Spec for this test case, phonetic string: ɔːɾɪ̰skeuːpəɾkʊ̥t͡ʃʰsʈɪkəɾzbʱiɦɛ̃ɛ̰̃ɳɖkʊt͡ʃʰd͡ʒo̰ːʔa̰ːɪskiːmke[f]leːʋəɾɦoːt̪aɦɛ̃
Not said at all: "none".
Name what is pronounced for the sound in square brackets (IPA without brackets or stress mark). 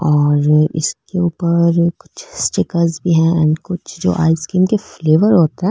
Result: f